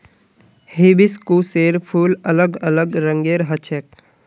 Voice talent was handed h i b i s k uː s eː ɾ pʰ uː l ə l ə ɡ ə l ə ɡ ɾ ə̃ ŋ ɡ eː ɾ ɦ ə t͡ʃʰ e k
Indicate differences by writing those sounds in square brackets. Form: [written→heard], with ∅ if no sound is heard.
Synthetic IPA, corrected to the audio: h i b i s k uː s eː ɾ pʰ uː l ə l ə ɡ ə l ə ɡ ɾ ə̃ ŋ ɡ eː ɾ ɦ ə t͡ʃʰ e k